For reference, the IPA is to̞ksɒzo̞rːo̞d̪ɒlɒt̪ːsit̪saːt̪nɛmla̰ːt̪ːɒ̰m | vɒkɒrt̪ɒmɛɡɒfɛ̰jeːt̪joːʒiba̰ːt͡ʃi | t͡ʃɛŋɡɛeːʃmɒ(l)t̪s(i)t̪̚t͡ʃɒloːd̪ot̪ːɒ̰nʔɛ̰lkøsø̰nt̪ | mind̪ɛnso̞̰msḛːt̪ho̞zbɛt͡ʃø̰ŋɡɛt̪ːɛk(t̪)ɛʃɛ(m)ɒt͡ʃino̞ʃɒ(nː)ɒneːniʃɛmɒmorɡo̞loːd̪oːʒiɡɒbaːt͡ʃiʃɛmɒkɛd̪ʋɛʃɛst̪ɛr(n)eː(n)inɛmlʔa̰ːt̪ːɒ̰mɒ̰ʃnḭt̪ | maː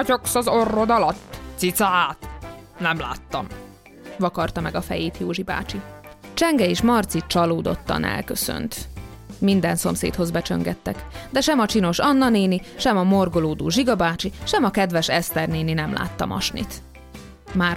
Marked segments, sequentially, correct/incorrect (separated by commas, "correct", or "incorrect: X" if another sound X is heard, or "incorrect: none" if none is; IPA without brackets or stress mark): incorrect: r, correct, incorrect: d̪, correct, correct, correct, correct